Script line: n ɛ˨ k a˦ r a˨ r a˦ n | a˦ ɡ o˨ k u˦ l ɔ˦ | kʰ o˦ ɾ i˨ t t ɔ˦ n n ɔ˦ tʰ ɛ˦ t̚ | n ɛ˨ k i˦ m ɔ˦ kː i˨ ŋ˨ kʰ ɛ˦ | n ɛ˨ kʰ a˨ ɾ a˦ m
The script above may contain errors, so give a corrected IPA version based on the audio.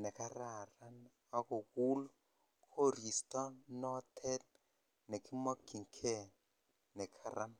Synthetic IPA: n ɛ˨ k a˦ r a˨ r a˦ n | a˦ k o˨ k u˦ l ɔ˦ | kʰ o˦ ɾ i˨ s t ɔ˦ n n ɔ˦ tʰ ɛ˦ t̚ | n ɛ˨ k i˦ m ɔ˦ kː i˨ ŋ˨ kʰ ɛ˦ | n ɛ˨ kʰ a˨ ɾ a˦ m